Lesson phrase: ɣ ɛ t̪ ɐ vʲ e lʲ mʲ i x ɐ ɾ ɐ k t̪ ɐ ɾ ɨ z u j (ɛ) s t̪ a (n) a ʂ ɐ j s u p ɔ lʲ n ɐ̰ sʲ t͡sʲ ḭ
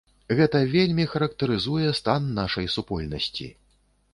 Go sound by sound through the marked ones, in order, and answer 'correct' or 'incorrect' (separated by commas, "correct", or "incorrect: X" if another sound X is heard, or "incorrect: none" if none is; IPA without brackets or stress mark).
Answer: correct, incorrect: nː